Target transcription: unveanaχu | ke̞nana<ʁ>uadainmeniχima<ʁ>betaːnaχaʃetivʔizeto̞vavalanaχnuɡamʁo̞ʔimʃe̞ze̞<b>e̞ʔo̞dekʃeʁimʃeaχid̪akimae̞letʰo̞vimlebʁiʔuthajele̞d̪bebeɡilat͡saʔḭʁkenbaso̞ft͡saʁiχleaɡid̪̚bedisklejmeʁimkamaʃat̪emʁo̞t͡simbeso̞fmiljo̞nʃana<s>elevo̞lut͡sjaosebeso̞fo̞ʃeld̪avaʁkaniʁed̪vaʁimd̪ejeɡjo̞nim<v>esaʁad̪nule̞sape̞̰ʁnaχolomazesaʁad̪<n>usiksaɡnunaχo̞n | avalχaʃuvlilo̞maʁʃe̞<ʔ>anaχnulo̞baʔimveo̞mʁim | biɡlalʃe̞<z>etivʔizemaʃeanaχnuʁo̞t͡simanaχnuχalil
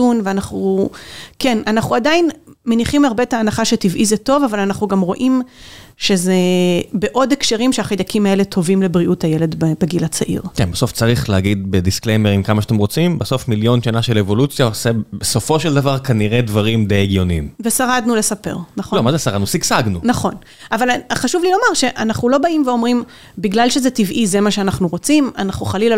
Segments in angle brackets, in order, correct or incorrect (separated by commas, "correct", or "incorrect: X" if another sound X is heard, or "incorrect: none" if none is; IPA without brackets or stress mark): incorrect: χ, correct, correct, incorrect: ʃ, correct, correct, correct, correct